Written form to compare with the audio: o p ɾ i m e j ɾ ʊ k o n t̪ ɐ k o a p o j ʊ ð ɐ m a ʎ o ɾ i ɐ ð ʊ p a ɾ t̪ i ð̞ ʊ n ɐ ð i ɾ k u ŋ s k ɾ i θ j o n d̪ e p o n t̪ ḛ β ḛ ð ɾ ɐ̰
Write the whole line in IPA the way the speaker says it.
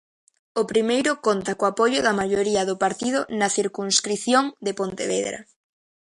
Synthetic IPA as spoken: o p ɾ i m e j ɾ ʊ k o n t̪ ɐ k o a p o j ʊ ð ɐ m a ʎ o ɾ i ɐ ð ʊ p a ɾ t̪ i ð̞ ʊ n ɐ θ i ɾ k u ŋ s k ɾ i θ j o ŋ d̪ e p o n t̪ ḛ β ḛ ð ɾ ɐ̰